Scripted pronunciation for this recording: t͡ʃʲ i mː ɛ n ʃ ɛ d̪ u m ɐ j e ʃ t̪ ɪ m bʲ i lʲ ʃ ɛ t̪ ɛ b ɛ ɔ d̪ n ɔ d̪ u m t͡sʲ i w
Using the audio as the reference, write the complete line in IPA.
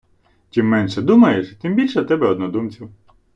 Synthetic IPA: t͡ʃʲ i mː ɛ n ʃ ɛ d̪ u m ɐ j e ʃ t̪ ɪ m bʲ i lʲ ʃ ɛ t̪ ɛ b ɛ ɔ d̪ n ɔ d̪ u m t͡sʲ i w